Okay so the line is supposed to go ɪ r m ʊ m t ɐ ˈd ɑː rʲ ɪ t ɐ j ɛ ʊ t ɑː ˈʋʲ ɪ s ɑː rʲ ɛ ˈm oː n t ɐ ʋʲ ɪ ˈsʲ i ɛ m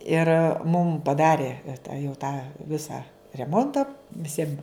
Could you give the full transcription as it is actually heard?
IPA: ɪ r m ʊ m p ɐ ˈd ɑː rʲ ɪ t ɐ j ɛ ʊ t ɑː ˈʋʲ ɪ s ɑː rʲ ɛ ˈm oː n t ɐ ʋʲ ɪ ˈsʲ i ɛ m